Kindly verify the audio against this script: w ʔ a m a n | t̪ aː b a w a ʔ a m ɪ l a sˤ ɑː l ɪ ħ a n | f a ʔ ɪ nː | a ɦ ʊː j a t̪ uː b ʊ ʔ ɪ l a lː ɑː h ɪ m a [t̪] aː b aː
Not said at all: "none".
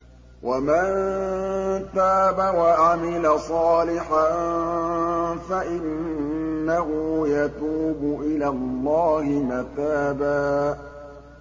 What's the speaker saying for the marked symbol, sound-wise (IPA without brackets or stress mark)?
t̪